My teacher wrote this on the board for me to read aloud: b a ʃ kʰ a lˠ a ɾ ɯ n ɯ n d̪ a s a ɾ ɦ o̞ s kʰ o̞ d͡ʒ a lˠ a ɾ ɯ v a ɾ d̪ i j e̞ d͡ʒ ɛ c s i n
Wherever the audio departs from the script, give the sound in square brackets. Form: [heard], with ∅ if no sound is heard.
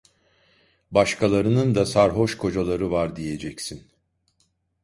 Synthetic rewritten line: b a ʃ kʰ a lˠ a ɾ ɯ n ɯ n d̪ a s a ɾ ɦ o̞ [ʃ] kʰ o̞ d͡ʒ a lˠ a ɾ ɯ v a ɾ d̪ i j e̞ d͡ʒ ɛ c s i n